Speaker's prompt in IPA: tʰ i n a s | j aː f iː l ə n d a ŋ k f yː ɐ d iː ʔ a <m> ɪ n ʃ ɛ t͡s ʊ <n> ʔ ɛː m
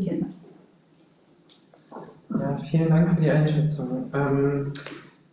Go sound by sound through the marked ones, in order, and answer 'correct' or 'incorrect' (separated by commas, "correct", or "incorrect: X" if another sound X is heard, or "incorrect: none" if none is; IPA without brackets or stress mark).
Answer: incorrect: none, incorrect: ŋ